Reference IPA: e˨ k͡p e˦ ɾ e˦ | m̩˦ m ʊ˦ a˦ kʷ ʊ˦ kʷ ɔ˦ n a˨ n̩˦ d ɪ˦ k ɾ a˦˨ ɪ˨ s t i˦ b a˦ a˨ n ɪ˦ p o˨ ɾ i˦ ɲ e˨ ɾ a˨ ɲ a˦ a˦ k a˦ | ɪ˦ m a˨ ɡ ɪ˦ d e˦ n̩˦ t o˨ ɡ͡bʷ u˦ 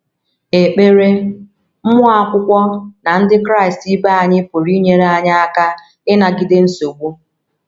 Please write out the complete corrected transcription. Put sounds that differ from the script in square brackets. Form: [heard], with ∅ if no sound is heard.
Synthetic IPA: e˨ k͡p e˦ ɾ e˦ | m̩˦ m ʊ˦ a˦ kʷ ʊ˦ kʷ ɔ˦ n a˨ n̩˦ d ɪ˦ k ɾ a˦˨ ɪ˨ s t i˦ b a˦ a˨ [ɲ] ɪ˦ p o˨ ɾ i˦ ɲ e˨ ɾ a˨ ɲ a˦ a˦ k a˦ | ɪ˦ [n] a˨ ɡ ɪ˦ d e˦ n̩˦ [s] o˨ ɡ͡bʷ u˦